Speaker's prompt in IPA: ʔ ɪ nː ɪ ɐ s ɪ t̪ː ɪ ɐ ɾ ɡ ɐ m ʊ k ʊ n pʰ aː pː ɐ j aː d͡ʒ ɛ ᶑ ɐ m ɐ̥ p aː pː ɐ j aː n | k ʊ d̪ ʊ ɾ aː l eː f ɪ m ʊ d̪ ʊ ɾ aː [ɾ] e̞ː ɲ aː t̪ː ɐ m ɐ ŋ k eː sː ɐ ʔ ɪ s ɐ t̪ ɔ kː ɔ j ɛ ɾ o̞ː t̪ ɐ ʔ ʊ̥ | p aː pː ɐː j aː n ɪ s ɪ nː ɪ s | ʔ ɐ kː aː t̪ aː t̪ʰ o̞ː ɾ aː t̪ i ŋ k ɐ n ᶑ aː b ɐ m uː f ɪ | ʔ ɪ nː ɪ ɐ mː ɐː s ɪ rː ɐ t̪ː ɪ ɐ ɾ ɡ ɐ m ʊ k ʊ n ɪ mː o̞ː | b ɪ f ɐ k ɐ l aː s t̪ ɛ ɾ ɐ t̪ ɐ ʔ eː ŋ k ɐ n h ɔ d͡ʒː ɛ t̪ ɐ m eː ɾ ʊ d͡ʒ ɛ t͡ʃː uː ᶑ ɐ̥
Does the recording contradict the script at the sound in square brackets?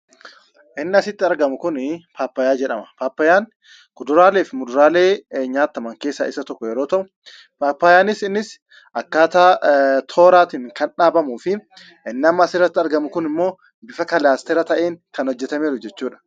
yes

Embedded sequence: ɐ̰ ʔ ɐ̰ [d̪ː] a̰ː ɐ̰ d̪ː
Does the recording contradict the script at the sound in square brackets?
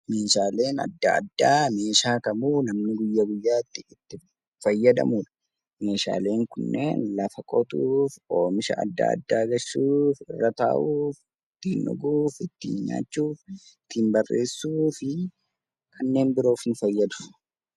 no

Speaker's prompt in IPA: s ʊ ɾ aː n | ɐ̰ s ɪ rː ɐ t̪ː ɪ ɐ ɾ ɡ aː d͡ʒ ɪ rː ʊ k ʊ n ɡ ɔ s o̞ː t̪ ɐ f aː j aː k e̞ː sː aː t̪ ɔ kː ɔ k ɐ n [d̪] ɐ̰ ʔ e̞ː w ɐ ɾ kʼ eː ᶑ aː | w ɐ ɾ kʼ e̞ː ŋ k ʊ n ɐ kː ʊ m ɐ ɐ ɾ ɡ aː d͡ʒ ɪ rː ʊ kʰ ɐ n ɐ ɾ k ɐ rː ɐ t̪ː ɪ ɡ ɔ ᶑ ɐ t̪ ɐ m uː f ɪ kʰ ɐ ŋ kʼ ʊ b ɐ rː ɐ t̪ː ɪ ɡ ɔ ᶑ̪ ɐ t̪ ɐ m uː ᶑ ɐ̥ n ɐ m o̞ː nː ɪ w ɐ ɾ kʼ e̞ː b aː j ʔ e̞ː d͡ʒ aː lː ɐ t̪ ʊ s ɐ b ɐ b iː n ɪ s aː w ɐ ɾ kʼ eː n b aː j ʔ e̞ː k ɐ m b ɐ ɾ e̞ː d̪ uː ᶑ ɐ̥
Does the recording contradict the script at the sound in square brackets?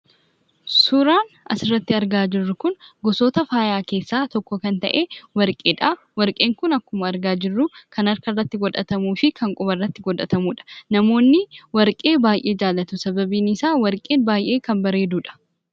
yes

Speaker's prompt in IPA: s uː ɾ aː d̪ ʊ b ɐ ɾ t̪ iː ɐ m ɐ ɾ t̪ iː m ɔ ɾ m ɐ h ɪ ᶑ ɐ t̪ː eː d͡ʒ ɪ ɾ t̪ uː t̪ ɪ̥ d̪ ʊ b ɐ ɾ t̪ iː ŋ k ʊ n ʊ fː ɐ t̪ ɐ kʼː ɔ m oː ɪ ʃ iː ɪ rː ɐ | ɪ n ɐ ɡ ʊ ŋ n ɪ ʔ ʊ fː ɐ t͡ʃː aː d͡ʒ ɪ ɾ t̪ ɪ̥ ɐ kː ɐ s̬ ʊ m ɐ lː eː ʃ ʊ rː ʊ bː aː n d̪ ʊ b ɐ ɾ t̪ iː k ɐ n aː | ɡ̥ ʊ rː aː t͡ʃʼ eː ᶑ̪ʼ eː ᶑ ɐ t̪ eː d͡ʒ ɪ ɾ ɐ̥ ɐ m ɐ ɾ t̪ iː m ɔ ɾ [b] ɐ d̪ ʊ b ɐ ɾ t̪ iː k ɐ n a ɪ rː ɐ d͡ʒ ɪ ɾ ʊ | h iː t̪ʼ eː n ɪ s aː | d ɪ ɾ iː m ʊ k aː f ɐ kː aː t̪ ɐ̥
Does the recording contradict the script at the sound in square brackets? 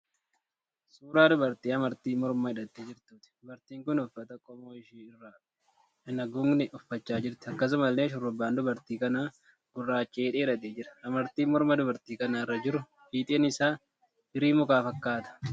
yes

